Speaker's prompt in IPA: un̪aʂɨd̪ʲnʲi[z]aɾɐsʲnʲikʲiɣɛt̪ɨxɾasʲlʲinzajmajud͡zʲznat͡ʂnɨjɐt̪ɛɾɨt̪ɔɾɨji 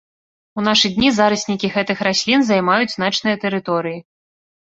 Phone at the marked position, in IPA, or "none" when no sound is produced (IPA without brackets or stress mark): z